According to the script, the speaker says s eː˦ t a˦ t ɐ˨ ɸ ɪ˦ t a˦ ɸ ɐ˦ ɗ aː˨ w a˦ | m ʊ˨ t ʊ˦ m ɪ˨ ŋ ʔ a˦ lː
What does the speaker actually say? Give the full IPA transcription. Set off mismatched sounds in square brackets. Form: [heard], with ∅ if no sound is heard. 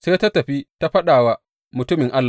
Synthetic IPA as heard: s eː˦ t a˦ t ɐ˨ ɸ [i˦] t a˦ ɸ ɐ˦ ɗ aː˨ w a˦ | m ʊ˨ t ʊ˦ m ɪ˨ ŋ ʔ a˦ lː

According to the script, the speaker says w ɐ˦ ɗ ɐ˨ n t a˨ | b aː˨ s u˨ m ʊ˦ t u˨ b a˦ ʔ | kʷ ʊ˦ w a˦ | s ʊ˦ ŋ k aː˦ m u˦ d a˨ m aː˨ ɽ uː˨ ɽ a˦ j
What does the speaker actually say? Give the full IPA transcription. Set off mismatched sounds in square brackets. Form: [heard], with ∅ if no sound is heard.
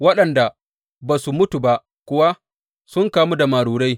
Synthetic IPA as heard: w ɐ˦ ɗ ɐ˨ n [d] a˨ | b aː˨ s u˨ m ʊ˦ t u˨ b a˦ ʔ | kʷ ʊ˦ w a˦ | s ʊ˦ ŋ k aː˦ m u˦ d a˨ m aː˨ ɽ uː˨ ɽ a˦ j

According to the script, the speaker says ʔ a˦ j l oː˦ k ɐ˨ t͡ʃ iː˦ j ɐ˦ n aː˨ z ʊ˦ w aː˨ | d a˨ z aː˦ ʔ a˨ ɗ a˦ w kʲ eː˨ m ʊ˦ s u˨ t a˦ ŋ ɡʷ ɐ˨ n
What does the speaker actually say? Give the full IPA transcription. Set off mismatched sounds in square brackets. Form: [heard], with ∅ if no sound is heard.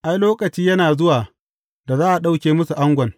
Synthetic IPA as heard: ʔ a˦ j l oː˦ k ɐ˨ t͡ʃ iː˦ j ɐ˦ n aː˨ z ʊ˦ w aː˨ | d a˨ z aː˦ ʔ a˨ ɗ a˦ w kʲ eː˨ m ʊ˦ s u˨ [ʔ] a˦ ŋ ɡʷ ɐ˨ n

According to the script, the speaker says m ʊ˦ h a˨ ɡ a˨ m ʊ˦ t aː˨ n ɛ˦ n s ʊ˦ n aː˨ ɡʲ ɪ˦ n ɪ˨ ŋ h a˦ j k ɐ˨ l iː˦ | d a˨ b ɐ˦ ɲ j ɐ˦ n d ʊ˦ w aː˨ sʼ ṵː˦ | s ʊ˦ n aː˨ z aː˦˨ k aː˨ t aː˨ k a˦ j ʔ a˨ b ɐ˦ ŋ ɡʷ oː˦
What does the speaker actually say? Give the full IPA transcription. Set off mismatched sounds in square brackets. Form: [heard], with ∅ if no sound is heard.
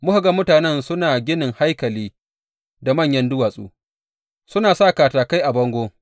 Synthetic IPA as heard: m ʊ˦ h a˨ ɡ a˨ m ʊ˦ t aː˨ n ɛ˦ n s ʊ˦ n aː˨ ɡʲ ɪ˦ n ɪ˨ ŋ h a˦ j k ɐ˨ l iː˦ | d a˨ [m] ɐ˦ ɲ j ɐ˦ n d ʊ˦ w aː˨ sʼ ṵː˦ | s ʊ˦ n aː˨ [s] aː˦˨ k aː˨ t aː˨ k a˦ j ʔ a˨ b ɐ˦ ŋ ɡʷ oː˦

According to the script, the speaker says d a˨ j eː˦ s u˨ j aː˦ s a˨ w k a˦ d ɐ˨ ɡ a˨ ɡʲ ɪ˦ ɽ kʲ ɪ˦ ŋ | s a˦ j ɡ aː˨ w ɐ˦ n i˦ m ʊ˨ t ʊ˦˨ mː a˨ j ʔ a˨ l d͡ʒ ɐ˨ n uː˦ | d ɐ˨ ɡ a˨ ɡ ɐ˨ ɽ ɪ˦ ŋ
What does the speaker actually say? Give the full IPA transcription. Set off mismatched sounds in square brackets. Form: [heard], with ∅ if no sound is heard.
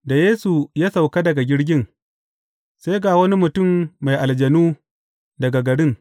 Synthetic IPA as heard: d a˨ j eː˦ s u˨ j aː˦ s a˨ w k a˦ d ɐ˨ ɡ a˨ ɡʲ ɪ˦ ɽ [ɡʲ] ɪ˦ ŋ | s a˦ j ɡ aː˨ w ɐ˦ n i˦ m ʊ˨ t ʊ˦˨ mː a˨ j ʔ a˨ l d͡ʒ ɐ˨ n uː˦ | d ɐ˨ ɡ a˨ ɡ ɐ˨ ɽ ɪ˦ ŋ

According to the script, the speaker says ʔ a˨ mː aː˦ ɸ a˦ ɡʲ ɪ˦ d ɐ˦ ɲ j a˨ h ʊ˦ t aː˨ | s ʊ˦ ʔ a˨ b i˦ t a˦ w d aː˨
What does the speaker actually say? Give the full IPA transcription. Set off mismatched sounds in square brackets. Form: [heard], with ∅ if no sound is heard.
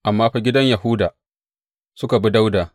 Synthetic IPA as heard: ʔ a˨ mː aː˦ ɸ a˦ ɡʲ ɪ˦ d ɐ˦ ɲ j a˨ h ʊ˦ [d] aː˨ | s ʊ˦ [k] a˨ b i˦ [d] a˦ w d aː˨

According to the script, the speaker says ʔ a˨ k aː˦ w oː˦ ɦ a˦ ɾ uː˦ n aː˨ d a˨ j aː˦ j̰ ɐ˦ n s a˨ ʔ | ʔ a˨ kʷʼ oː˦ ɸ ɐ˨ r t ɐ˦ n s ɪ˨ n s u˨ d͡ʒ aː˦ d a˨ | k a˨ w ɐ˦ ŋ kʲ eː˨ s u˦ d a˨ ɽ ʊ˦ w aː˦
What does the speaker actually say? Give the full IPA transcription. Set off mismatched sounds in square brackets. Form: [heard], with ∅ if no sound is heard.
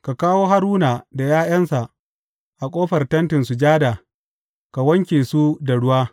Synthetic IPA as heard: [k] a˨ k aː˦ w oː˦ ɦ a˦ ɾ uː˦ n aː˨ d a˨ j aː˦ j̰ ɐ˦ n s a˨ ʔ | ʔ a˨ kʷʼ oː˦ ɸ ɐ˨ r t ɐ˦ n [t] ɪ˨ n s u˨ d͡ʒ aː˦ d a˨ | k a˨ w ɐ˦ ŋ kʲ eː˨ s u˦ d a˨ ɽ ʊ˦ w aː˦

